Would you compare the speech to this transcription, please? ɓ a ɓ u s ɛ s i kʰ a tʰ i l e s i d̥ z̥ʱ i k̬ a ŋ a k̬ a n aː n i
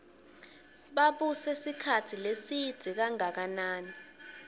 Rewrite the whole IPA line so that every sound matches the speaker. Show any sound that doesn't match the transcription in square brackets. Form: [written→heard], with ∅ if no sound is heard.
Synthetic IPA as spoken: ɓ a ɓ u s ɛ s i kʰ a tʰ i l e s i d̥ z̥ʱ i k̬ a ŋ a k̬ a n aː n i